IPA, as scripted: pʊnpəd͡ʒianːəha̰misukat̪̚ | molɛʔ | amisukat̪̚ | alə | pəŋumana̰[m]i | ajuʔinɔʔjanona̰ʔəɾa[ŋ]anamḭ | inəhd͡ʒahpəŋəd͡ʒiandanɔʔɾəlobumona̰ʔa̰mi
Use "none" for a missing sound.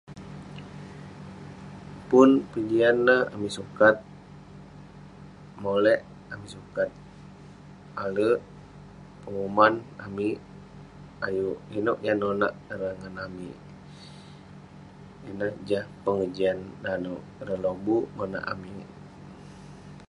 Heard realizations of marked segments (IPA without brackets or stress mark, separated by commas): m, ŋ